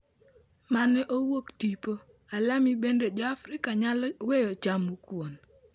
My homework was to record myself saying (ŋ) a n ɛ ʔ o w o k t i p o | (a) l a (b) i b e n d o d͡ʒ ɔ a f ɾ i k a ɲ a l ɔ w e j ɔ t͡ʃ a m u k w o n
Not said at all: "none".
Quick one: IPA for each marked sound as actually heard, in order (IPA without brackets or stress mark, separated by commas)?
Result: m, a, m